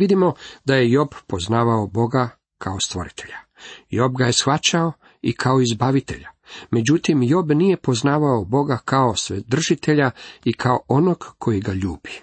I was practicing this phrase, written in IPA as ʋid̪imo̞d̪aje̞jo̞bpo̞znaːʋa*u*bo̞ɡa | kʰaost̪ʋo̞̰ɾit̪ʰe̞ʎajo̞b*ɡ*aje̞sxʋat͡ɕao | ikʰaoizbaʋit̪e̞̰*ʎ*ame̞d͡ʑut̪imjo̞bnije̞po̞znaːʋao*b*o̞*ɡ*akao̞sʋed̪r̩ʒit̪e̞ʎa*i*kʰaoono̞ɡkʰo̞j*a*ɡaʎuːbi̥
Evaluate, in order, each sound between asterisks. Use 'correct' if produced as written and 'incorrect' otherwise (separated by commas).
incorrect, correct, correct, correct, correct, correct, incorrect